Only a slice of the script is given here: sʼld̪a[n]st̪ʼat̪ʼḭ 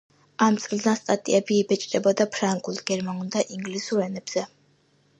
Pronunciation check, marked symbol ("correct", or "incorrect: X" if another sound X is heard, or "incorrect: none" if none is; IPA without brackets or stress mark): correct